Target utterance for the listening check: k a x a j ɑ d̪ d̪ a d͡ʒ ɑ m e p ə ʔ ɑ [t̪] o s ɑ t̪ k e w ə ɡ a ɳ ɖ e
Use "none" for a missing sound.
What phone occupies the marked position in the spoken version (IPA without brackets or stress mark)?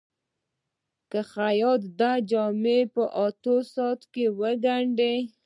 t̪